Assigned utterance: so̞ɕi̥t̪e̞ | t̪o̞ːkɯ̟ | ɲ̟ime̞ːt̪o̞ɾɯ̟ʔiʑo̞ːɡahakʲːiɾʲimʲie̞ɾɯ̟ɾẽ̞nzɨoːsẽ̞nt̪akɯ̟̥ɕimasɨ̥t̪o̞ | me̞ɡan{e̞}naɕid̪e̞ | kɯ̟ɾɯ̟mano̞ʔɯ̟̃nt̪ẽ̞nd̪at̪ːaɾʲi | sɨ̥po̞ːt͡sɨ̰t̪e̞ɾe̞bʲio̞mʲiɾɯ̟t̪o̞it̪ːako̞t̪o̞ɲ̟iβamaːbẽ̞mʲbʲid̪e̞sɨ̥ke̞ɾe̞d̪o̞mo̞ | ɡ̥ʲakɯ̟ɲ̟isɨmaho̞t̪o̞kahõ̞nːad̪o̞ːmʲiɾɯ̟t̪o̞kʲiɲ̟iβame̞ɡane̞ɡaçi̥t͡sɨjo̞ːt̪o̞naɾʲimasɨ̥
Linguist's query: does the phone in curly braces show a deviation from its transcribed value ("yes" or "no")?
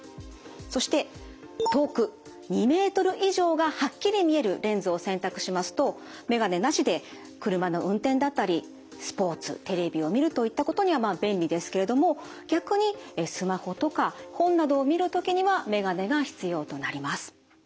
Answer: no